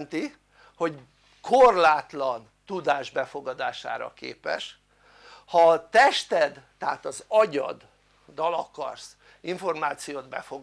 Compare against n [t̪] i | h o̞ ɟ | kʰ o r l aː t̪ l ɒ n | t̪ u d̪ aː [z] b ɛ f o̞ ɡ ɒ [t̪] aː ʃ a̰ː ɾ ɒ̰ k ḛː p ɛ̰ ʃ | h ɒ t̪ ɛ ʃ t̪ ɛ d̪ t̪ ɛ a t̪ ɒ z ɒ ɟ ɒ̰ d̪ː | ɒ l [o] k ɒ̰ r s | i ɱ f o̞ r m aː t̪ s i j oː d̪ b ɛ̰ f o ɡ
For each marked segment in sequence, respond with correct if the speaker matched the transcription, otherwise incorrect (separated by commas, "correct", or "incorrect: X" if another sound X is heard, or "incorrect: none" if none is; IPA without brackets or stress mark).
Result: correct, incorrect: ʒ, incorrect: d̪, incorrect: ɒ